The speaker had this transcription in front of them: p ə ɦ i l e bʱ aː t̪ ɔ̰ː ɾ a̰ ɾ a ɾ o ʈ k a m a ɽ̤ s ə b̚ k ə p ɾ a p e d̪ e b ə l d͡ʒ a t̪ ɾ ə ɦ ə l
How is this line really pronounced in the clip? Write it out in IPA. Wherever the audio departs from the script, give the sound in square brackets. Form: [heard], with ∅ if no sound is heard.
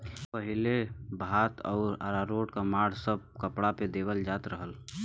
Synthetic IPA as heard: p ə ɦ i l e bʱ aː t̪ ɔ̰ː ɾ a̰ ɾ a ɾ o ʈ k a m a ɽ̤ s ə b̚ k ə p [ɽ] a p e d̪ e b ə l d͡ʒ a t̪ ɾ ə ɦ ə l